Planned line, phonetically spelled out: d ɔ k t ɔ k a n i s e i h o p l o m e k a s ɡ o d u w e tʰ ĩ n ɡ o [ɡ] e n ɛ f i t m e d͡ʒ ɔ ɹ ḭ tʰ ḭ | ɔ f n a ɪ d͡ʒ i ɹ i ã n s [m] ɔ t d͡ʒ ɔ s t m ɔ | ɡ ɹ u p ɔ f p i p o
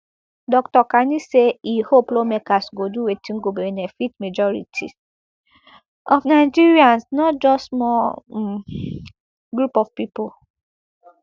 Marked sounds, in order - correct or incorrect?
incorrect: b, incorrect: n

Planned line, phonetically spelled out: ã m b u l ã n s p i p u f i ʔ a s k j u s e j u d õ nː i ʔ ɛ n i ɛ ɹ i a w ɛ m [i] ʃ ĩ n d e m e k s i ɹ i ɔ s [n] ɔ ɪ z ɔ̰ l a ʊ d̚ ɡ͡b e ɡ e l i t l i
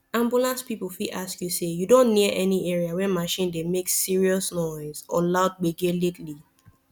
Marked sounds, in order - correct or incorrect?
incorrect: a, correct

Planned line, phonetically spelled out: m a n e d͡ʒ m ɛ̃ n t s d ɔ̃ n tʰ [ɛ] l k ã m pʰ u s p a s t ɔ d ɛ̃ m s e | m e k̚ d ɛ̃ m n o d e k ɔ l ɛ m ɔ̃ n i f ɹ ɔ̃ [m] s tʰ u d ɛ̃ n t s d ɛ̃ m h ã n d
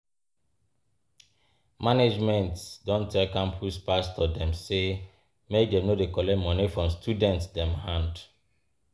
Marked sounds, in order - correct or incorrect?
correct, correct

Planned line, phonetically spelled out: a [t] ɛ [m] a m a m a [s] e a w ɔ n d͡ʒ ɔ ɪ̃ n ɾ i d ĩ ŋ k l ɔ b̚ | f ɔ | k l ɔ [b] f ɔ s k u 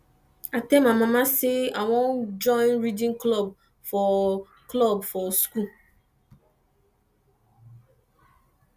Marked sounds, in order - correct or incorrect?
correct, correct, correct, correct

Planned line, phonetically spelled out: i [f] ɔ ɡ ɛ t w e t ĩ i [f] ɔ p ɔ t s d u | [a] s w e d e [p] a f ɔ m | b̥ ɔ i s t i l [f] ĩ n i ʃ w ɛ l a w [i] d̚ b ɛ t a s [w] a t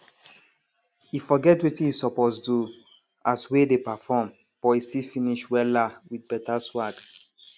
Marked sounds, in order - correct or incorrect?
correct, incorrect: s, correct, correct, correct, correct, correct

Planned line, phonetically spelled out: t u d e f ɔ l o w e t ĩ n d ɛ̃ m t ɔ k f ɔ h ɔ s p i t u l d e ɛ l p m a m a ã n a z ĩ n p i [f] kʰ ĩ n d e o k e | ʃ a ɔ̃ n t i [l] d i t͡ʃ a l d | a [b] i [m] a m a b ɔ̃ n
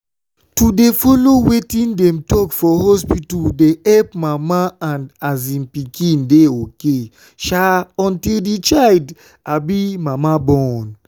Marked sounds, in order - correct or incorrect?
incorrect: none, correct, correct, correct

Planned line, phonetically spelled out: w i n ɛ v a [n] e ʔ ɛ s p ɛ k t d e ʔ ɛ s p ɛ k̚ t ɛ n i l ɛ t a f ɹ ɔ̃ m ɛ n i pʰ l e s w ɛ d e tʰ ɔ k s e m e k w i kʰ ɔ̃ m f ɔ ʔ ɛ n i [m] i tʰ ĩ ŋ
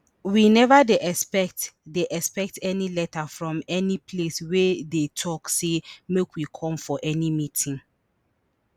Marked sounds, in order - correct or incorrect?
incorrect: d, correct

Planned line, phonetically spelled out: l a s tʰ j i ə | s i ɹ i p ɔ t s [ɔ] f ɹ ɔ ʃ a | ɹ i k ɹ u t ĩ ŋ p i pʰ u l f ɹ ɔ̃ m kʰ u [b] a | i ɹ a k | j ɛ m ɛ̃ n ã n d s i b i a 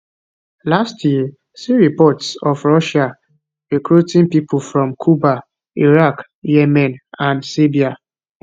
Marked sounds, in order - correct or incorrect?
correct, correct

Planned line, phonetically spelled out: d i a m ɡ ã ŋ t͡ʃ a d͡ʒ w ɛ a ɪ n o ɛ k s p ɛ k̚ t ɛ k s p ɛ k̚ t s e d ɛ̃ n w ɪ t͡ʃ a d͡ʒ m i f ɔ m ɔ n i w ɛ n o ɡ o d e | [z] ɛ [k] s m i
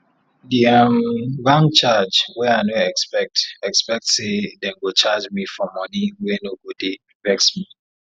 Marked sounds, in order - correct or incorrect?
incorrect: v, correct

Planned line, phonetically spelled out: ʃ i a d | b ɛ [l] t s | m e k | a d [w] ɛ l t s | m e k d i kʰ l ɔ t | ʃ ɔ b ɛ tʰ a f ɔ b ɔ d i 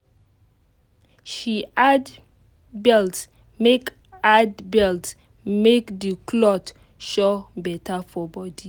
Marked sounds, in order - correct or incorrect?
correct, incorrect: b

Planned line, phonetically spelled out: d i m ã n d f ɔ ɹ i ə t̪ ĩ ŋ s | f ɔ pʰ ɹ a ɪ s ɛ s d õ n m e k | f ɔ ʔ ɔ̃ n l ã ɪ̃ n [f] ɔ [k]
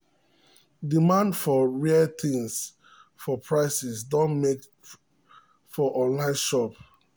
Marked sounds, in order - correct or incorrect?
incorrect: ʃ, incorrect: p

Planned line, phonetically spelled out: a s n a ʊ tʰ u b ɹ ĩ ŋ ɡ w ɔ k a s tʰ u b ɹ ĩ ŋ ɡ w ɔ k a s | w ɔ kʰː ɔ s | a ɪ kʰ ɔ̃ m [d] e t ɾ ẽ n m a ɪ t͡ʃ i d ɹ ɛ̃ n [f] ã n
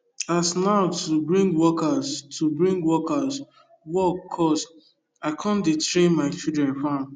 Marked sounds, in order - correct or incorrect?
correct, correct

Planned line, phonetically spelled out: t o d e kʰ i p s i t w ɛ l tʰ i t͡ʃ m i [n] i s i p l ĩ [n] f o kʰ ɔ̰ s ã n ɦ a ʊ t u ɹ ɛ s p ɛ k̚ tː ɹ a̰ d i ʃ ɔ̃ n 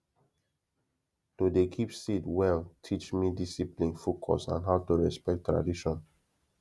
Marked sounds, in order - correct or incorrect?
incorrect: d, correct

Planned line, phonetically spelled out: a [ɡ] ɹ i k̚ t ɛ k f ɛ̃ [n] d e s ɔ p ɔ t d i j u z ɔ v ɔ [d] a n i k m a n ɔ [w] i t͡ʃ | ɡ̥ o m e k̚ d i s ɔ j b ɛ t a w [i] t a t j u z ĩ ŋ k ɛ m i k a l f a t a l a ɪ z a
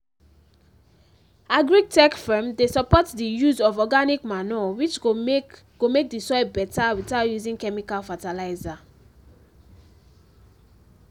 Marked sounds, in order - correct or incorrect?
correct, incorrect: m, incorrect: ɡ, correct, correct

